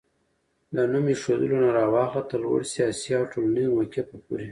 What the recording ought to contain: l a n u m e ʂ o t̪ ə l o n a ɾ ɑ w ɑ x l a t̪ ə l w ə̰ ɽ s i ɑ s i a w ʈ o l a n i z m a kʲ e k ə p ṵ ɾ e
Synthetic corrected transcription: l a n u m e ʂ o d̪ ə l o n a ɾ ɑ w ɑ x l a t̪ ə l w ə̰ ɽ s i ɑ s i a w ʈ o l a n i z m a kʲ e p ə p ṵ ɾ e